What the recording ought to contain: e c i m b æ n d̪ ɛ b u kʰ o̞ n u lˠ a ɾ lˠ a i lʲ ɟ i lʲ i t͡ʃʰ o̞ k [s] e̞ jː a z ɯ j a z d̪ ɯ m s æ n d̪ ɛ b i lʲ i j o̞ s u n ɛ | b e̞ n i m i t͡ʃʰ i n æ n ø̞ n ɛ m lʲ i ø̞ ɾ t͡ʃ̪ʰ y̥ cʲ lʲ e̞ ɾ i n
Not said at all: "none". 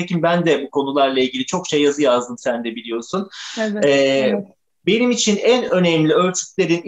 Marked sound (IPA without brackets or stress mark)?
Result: ʃ